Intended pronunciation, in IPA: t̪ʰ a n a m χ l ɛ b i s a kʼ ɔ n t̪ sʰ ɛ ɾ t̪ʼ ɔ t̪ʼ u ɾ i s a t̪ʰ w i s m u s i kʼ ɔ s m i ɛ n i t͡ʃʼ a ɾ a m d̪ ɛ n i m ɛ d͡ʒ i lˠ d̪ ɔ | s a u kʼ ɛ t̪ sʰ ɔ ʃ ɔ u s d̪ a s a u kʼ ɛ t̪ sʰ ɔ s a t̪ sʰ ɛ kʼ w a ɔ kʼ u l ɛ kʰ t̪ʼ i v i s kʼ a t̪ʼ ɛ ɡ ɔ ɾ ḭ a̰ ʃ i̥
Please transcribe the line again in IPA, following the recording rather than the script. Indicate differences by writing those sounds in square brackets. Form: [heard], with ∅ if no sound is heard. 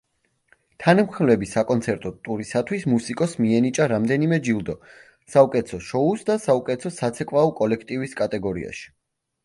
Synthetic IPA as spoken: t̪ʰ a n a m χ l ɛ b i s a kʼ ɔ n t̪ sʰ ɛ ɾ t̪ʼ ɔ t̪ʼ u ɾ i s a t̪ʰ w i s m u s i kʼ ɔ s m i ɛ n i t͡ʃʼ a ɾ a m d̪ ɛ n i m ɛ d͡ʒ i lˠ d̪ ɔ | s a u kʼ ɛ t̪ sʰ ɔ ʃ ɔ u s d̪ a s a u kʼ ɛ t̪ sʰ ɔ s a t̪ sʰ ɛ kʼ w a ɔ kʼ [ɔ] l ɛ kʰ t̪ʼ i v i s kʼ a t̪ʼ ɛ ɡ ɔ ɾ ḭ a̰ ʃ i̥